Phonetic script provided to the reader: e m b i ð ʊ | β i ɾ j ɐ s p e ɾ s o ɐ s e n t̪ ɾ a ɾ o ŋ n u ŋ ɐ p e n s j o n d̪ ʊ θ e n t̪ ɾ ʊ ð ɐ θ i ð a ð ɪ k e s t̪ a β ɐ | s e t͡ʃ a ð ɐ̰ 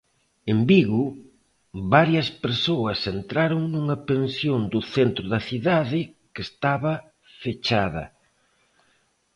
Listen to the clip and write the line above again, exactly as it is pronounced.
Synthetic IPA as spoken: e m b i ɣ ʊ | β a ɾ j ɐ s p e ɾ s o ɐ s e n t̪ ɾ a ɾ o ŋ n u ŋ ɐ p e n s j o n d̪ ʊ θ e n t̪ ɾ ʊ ð ɐ θ i ð a ð ɪ k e s t̪ a β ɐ | f e t͡ʃ a ð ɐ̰